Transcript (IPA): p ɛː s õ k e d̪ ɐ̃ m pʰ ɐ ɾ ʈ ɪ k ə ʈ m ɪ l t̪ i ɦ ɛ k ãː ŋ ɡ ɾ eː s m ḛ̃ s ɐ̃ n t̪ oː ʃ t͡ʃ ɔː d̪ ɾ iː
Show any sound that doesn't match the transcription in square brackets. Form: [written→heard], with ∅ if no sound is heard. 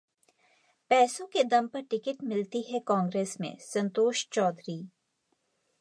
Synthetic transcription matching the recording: p ɛː s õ k e d̪ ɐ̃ m [pʰ→p] ɐ ɾ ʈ ɪ k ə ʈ m ɪ l t̪ i ɦ ɛ k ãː ŋ ɡ ɾ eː s m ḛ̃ s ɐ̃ n t̪ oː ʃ t͡ʃ ɔː d̪ ɾ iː